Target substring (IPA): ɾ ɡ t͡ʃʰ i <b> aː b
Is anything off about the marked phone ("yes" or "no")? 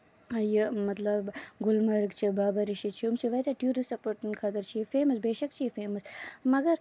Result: no